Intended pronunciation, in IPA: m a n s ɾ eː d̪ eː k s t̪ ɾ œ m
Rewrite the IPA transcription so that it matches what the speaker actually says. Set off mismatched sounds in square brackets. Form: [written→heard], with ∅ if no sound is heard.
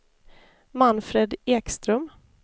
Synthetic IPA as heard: m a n [s→f] ɾ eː d̪ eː k s t̪ ɾ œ m